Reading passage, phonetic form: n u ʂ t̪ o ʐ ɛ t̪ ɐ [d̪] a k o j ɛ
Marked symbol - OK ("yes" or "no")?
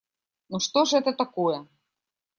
no